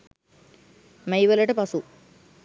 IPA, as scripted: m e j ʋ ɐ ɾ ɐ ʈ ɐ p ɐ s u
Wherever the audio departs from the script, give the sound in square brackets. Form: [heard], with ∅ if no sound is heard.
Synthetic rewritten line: m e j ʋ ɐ [l] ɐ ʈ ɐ p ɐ s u